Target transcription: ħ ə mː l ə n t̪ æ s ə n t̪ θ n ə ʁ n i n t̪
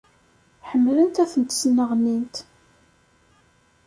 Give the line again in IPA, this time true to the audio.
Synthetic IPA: ħ ə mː l ə n t̪ æ θ ə n t̪ s n ə ʁ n i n t̪